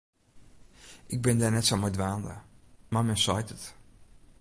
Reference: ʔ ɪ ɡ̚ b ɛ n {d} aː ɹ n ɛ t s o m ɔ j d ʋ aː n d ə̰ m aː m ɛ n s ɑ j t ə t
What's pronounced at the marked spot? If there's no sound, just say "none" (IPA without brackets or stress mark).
d